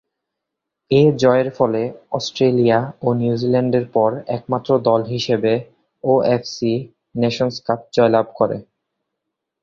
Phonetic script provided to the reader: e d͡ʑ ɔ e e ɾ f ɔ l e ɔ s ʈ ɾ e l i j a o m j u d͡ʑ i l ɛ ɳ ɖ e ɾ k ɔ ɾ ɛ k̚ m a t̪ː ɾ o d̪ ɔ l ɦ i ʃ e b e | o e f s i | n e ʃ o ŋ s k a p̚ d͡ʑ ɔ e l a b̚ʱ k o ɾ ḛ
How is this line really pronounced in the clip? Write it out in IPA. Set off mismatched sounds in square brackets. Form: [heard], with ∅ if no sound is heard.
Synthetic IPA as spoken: e d͡ʑ ɔ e e ɾ f ɔ l e ɔ s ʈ ɾ e l i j a o [n] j u d͡ʑ i l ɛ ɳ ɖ e ɾ [p] ɔ ɾ ɛ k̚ m a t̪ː ɾ o d̪ ɔ l ɦ i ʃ e b e | o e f s i | n e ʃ o [n] s k a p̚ d͡ʑ ɔ e l a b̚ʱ k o ɾ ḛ